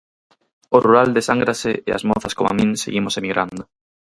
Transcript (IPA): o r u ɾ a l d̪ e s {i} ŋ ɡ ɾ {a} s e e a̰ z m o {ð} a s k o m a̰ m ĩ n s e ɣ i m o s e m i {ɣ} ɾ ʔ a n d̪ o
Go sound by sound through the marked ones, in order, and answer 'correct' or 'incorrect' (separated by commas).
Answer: incorrect, correct, incorrect, correct